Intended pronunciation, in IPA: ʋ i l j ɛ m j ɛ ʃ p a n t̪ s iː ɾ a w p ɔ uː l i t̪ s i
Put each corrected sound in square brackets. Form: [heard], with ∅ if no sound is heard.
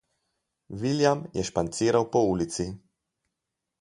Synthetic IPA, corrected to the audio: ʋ i l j [a] m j ɛ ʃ p a n t̪ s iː ɾ a w p ɔ uː l i t̪ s i